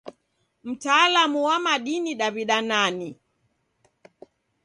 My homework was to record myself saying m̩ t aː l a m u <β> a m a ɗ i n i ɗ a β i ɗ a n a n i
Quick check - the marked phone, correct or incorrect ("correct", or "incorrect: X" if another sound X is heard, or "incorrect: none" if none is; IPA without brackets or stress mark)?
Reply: incorrect: w